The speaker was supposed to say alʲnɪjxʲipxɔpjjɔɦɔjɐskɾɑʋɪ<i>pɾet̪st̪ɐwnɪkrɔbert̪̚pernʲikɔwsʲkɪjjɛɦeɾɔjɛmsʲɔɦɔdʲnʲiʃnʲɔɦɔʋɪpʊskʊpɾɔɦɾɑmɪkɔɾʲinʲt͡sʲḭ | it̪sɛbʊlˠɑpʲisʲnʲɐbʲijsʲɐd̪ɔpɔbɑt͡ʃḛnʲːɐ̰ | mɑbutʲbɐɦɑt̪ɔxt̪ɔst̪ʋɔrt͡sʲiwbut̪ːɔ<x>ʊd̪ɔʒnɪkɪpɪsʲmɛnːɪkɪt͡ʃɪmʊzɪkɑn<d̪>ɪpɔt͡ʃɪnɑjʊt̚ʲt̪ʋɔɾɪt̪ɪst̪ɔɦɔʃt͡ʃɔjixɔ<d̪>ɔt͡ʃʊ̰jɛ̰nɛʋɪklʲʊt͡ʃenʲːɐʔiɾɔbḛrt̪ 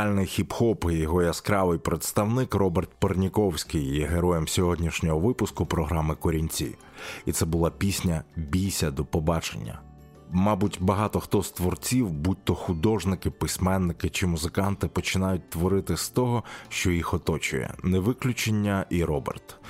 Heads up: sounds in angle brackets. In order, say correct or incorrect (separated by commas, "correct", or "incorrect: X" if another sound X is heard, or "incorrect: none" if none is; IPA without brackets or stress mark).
incorrect: j, correct, incorrect: t̪, incorrect: t̪